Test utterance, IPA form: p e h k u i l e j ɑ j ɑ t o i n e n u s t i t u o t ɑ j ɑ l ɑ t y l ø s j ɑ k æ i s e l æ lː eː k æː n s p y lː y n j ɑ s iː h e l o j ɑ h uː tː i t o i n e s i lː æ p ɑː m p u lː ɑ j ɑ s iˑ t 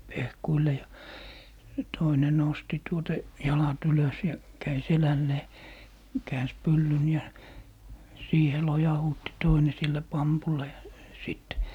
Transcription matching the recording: p e h k u i l e j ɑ j ɑ t o i n e n o s t i t u o t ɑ j ɑ l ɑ t y l ø s j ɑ k æ i s e l æ lː eː k æː n s p y lː y n j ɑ s iː h e l o j ɑ h uː tː i t o i n e s i lː æ p ɑ m p u lː ɑ j ɑ s iˑ t